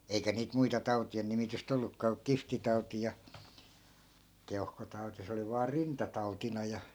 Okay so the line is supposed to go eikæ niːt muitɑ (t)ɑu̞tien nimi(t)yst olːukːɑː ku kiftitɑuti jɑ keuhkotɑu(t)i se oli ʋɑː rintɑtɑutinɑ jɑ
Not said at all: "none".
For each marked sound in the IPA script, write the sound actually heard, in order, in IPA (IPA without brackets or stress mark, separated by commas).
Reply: t, t, t